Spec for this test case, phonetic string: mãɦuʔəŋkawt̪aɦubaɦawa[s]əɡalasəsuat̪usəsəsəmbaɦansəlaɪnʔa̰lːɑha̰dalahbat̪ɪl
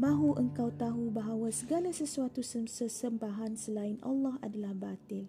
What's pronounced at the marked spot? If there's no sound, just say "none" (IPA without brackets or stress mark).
s